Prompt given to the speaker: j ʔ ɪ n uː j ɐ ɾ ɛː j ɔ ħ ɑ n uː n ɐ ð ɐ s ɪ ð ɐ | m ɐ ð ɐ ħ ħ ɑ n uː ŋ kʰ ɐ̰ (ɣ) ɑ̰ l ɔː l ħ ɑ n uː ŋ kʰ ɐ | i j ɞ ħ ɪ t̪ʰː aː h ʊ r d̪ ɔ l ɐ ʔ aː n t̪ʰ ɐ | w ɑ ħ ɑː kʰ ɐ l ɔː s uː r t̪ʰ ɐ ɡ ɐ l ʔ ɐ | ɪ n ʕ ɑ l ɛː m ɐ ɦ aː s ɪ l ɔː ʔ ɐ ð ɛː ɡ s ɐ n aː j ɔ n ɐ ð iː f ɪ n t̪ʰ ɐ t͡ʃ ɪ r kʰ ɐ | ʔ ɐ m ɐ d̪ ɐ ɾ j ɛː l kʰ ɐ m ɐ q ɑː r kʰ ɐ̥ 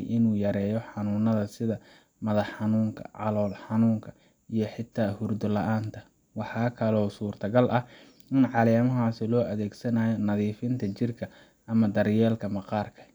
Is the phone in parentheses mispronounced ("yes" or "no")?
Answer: yes